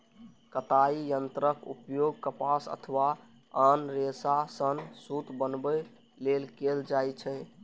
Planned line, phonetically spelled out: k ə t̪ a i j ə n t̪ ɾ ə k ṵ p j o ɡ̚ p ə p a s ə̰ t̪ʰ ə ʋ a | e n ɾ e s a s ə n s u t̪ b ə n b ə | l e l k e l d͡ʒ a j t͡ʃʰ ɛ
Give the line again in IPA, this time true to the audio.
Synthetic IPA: k ə t̪ a i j ə n t̪ ɾ ə k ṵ p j o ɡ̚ k ə p a s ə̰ t̪ʰ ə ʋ a | a n ɾ e s a s ə n s u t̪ b ə n b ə | l e l k e l d͡ʒ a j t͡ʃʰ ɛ